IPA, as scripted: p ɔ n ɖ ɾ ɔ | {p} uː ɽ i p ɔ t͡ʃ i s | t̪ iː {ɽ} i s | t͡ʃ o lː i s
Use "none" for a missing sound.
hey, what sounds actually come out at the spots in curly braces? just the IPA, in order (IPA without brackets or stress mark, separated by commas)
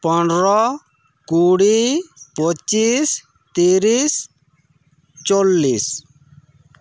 k, ɾ